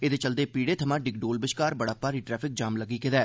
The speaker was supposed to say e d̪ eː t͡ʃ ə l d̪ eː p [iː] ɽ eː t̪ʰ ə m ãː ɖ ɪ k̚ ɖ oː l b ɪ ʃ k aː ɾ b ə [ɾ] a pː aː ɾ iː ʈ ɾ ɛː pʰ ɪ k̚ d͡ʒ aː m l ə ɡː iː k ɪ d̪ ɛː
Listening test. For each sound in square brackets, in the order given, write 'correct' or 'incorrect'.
correct, incorrect: ɽ

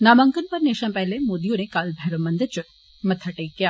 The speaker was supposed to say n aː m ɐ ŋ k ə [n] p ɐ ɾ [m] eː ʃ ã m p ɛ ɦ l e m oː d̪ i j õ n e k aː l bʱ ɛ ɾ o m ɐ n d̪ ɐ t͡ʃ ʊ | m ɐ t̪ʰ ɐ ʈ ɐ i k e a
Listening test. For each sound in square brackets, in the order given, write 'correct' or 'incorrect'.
correct, incorrect: n

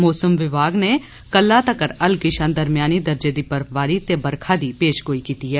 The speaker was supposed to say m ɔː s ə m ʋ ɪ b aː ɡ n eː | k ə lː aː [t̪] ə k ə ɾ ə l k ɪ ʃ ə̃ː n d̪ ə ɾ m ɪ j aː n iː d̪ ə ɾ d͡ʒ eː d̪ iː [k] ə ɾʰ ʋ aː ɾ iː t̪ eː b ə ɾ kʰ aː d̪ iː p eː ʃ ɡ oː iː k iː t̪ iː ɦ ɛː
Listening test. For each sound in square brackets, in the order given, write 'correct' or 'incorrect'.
correct, incorrect: p

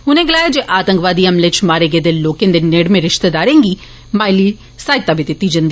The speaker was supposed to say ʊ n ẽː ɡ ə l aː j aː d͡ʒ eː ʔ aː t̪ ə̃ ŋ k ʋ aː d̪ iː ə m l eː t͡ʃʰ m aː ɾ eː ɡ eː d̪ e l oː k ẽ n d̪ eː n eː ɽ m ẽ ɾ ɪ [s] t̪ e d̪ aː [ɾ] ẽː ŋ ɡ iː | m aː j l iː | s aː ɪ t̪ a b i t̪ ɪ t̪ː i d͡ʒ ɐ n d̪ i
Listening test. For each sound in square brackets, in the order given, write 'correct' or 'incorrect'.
incorrect: ʃ, correct

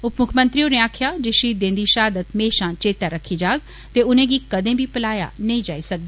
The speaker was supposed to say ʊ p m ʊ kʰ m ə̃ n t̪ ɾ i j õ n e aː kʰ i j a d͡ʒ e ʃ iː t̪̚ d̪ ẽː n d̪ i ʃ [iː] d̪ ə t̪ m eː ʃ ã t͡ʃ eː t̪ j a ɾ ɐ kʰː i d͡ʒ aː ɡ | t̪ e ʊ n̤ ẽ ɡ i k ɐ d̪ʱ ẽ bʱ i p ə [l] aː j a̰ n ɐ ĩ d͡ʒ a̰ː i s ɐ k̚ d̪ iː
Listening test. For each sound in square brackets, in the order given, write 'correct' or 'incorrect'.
incorrect: aː, correct

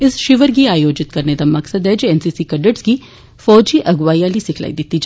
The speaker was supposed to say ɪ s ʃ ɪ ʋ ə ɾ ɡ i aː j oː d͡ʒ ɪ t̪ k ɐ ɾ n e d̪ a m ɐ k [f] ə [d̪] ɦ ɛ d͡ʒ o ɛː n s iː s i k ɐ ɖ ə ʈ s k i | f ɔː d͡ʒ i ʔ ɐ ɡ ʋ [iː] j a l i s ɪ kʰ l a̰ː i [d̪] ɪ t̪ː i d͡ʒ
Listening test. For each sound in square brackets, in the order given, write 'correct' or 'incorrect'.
incorrect: s, correct, incorrect: aː, correct

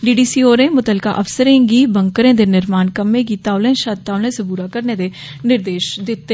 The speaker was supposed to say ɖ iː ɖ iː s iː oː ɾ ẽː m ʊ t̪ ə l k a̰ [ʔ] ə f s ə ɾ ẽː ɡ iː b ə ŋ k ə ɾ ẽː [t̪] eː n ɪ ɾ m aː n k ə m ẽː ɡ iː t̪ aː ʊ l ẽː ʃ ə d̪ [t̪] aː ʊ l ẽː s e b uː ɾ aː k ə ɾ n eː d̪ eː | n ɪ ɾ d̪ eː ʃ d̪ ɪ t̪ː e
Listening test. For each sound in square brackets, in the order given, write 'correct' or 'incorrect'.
correct, incorrect: d̪, correct

